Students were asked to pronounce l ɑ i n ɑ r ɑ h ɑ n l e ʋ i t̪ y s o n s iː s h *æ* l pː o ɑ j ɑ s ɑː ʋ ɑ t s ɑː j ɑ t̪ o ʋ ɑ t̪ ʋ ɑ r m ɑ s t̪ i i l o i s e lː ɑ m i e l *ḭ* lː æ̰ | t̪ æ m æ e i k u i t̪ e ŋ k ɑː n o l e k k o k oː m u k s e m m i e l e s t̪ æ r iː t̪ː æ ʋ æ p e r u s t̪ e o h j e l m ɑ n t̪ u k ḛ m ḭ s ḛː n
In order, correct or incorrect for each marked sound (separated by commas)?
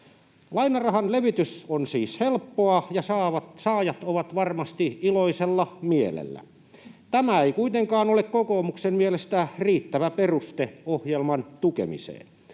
incorrect, incorrect